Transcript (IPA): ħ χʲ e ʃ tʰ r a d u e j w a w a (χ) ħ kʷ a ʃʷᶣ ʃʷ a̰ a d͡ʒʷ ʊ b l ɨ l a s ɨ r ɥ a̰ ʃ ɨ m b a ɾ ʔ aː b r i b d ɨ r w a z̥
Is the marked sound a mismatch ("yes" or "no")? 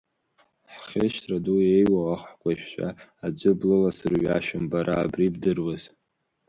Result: no